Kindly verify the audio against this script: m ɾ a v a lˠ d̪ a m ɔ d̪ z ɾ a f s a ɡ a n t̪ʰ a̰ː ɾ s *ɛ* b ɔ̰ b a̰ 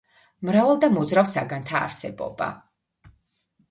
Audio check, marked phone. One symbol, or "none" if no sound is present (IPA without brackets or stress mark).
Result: ɛ